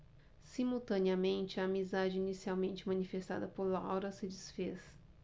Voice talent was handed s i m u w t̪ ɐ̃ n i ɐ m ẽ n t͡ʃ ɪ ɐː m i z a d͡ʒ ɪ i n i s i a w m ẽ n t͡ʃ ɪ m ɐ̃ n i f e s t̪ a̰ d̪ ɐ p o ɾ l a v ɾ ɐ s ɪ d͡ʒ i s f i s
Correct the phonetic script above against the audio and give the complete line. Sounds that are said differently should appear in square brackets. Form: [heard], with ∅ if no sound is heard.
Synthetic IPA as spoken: s i m u w t̪ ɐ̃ n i ɐ m ẽ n t͡ʃ ɪ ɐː m i z a d͡ʒ ɪ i n i s i a w m ẽ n t͡ʃ ɪ m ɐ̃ n i f e s t̪ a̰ d̪ ɐ p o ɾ l a [w] ɾ ɐ s ɪ d͡ʒ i s f [e] s